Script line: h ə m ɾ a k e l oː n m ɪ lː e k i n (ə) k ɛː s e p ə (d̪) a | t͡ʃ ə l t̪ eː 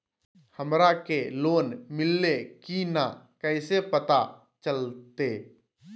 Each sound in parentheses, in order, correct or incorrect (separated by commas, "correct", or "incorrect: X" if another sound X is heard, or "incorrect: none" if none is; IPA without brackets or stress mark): incorrect: a, incorrect: t̪